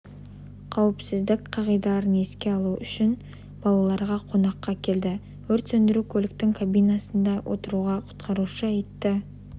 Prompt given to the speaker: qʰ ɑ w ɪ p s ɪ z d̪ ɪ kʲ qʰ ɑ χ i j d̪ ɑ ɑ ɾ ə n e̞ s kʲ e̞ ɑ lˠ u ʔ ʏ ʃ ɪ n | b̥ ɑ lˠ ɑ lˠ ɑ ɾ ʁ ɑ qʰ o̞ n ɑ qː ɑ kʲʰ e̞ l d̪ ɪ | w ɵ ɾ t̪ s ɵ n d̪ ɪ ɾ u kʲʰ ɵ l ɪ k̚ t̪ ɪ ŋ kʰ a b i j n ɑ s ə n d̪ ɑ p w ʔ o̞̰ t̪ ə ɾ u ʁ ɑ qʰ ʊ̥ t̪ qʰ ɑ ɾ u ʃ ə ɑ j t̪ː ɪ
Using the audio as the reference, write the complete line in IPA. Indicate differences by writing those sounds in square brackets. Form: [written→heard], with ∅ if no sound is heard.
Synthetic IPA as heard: qʰ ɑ w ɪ p s ɪ z d̪ ɪ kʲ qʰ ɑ [χ→ʁ] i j d̪ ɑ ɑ ɾ ə n e̞ s kʲ e̞ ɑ lˠ u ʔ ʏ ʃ ɪ n | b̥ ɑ lˠ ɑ lˠ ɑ ɾ ʁ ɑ qʰ o̞ n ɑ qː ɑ kʲʰ e̞ l d̪ ɪ | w ɵ ɾ t̪ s ɵ n d̪ ɪ ɾ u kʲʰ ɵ l ɪ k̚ t̪ ɪ ŋ kʰ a b i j n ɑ s ə n d̪ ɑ [p→∅] w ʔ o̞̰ t̪ ə ɾ u ʁ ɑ qʰ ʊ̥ t̪ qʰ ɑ ɾ u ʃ ə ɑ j t̪ː ɪ